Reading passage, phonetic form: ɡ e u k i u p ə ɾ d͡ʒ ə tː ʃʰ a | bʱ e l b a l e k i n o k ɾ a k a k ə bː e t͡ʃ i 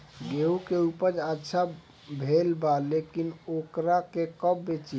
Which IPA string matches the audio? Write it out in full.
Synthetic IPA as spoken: ɡ e u k e u p ə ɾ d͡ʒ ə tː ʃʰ a | bʱ e l b a l e k i n o k ɾ a k e k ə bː e t͡ʃ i